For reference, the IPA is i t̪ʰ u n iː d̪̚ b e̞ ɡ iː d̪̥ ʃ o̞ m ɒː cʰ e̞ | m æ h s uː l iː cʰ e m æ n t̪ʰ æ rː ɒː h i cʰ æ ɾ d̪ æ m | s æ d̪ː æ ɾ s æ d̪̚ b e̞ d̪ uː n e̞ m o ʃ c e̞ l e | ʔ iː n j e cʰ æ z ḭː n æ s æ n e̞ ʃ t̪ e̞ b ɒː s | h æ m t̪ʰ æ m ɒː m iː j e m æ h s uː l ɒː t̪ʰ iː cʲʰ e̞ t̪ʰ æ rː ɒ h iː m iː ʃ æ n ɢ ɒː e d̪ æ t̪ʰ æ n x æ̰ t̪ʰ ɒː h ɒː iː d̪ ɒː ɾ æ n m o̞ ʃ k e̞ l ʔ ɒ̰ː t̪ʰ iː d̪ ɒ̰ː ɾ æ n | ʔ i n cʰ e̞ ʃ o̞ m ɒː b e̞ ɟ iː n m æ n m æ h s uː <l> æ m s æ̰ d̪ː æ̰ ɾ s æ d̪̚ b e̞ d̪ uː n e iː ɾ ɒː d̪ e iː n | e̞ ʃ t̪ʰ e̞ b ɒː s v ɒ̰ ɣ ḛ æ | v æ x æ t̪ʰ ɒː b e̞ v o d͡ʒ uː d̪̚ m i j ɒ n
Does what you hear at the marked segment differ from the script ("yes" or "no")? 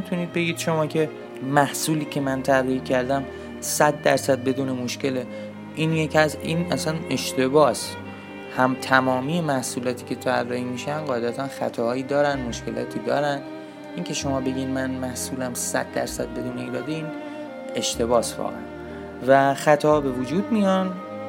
no